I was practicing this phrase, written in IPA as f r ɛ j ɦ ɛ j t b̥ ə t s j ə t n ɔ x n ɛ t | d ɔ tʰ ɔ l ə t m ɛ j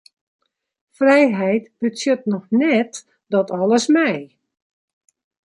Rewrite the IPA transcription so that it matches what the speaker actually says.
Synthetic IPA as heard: f r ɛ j ɦ ɛ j t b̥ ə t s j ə t n ɔ x n ɛ t | d ɔ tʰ ɔ l ə s m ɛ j